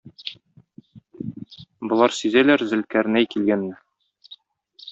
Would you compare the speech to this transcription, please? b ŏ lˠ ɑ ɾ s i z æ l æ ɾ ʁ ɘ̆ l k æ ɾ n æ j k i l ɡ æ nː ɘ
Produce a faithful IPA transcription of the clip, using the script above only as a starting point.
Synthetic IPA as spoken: b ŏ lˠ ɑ ɾ s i z æ l æ ɾ z ɘ̆ l k æ ɾ n æ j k i l ɡ æ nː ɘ